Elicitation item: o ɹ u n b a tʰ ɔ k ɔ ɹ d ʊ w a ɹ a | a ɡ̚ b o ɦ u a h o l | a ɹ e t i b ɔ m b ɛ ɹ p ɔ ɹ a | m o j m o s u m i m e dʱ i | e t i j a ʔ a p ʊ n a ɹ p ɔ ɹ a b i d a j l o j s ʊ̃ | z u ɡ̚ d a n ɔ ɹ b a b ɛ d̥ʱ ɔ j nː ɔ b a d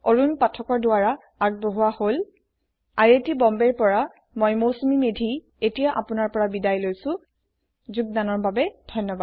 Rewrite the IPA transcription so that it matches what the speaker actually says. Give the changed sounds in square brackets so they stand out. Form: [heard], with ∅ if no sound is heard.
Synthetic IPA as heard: o ɹ u n [p] a tʰ ɔ k ɔ ɹ d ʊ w a ɹ a | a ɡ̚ b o ɦ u a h o l | a ɹ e t i b ɔ m b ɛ ɹ p ɔ ɹ a | m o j m o s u m i m e dʱ i | e t i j a ʔ a p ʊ n a ɹ p ɔ ɹ a b i d a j l o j s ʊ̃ | z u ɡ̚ d a n ɔ ɹ b a b ɛ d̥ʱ ɔ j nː ɔ b a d